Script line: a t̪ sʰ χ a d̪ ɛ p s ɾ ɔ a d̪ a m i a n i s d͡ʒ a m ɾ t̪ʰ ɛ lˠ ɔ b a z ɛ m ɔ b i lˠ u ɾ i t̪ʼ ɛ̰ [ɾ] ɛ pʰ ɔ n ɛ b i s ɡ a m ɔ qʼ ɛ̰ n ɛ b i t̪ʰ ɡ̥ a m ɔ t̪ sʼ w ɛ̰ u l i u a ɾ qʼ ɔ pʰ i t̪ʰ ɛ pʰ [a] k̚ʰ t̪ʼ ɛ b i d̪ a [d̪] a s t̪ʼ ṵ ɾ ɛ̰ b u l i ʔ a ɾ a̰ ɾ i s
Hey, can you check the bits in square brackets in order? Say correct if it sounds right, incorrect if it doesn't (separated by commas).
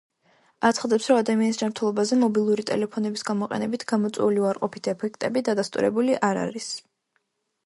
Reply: incorrect, incorrect, correct